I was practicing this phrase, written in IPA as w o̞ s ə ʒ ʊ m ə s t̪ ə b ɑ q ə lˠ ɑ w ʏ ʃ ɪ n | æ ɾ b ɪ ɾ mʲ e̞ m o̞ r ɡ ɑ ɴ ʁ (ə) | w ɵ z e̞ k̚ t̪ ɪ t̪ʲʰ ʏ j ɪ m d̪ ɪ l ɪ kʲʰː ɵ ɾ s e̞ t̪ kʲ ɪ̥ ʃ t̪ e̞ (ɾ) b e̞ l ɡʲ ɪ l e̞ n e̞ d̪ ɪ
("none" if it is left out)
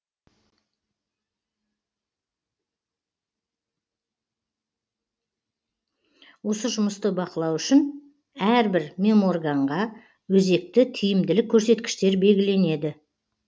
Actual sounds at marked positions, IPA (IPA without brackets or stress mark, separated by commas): ɑ, ɾ